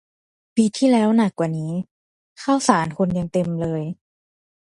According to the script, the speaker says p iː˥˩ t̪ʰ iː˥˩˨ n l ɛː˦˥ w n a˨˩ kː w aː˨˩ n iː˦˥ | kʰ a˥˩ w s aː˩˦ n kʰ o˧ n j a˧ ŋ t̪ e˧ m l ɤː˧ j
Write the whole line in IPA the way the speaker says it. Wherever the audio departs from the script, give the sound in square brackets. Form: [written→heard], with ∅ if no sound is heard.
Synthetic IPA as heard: p [iː˥˩→iː˧] t̪ʰ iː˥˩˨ [n→∅] l ɛː˦˥ w n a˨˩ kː w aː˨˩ n iː˦˥ | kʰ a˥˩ w s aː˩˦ n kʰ o˧ n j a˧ ŋ t̪ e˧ m l ɤː˧ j